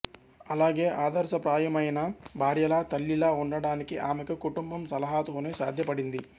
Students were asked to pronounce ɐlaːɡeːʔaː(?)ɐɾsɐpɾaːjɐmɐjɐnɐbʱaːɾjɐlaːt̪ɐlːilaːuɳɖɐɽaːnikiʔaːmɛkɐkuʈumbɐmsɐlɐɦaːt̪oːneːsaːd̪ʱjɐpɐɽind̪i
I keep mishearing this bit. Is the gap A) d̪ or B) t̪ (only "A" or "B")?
A